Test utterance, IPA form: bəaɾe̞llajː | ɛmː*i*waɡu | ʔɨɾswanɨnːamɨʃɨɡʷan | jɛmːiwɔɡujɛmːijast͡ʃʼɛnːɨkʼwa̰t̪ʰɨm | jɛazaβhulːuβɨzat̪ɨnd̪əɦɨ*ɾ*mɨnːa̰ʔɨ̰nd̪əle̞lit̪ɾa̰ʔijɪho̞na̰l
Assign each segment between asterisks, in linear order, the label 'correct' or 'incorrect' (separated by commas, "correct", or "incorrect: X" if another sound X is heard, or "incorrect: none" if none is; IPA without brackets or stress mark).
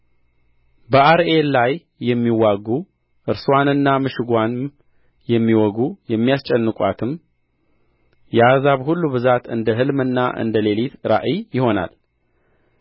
correct, incorrect: l